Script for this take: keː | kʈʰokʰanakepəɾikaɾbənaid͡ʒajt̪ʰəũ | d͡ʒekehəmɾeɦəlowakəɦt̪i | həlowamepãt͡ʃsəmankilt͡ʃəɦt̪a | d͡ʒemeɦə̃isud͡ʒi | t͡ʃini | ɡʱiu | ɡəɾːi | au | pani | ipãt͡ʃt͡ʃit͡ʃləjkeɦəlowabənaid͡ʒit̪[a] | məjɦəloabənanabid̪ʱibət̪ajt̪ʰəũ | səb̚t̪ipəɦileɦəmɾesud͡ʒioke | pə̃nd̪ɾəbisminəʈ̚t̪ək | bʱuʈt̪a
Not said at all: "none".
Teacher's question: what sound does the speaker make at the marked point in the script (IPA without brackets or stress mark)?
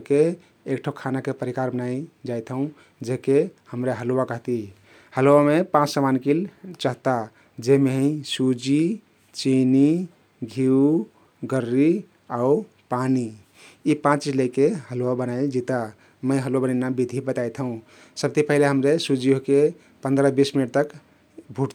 a